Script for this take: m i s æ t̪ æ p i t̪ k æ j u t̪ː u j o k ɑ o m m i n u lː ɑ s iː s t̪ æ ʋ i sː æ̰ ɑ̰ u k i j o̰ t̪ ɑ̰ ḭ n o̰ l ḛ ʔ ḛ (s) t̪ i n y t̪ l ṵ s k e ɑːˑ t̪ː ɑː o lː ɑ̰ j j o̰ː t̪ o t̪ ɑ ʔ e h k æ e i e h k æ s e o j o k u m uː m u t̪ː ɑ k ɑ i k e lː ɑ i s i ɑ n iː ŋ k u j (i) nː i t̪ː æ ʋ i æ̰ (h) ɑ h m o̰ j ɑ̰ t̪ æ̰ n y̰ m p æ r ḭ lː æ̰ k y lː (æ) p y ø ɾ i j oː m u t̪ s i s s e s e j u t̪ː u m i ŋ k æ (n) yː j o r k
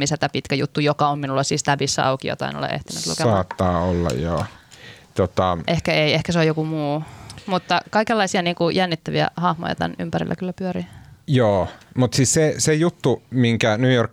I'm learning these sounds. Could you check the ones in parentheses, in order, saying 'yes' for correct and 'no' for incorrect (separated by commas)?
no, no, yes, yes, yes